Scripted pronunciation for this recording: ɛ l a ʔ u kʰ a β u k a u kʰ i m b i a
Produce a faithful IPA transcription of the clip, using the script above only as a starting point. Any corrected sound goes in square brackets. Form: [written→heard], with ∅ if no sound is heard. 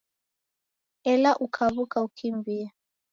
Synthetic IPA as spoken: ɛ l a ʔ u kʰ a β u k a u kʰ i m b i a